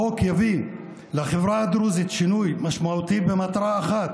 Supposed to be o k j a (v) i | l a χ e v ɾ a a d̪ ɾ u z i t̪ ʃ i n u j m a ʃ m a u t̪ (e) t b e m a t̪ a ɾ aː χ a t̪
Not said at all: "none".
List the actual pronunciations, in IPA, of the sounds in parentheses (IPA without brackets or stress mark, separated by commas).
v, i